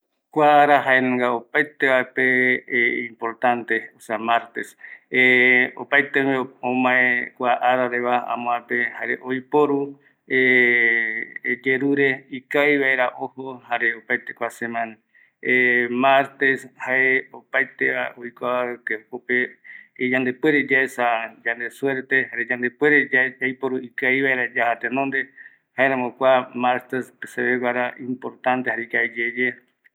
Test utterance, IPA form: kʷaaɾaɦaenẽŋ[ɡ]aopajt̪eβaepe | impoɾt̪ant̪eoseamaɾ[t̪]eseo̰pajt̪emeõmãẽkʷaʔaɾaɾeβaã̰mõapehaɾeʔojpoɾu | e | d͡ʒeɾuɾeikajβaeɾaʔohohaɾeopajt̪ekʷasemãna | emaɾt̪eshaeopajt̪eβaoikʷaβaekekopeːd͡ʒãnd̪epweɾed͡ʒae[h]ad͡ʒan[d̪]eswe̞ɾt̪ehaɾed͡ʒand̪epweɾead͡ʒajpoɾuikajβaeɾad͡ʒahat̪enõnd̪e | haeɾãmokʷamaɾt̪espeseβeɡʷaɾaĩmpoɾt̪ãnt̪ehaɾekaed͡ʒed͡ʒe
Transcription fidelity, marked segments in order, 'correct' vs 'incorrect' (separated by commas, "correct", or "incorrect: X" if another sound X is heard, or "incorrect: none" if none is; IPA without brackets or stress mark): correct, correct, incorrect: s, correct